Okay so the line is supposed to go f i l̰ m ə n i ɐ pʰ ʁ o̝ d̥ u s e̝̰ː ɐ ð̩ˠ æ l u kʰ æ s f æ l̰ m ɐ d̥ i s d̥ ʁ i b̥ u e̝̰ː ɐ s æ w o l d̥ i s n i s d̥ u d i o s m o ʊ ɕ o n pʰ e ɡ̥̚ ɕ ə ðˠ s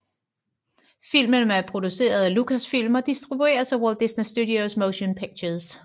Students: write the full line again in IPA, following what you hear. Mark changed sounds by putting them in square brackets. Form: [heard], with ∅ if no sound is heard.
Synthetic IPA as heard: f i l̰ m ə n [æ] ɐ pʰ ʁ o̝ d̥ u s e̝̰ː ɐ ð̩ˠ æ l u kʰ æ s f [i] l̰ m ɐ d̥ i s d̥ ʁ i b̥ u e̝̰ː ɐ s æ w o l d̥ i s n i s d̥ u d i o s m o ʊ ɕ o n pʰ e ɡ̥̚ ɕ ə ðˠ s